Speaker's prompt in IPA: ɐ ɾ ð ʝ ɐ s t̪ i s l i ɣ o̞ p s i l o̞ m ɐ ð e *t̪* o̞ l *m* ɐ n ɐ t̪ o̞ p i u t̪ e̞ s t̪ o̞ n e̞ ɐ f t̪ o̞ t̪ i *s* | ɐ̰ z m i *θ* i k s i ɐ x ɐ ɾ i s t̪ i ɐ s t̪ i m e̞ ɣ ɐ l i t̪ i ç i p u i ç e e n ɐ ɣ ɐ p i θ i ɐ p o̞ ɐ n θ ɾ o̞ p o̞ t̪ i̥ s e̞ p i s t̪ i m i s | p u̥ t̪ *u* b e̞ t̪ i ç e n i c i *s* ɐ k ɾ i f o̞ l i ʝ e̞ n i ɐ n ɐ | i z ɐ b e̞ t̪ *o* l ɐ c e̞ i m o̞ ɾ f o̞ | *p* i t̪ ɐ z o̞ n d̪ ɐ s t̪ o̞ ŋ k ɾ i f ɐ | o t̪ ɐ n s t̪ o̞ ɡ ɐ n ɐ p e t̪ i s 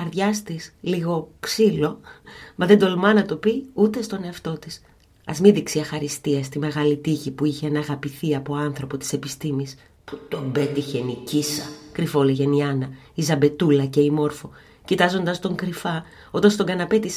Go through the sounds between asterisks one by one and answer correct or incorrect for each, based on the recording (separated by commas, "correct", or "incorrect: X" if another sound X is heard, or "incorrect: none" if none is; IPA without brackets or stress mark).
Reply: incorrect: d̪, correct, correct, incorrect: ð, incorrect: o, correct, incorrect: u, incorrect: c